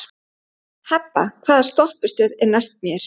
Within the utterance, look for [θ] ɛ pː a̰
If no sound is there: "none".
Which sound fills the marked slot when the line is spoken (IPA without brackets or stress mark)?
h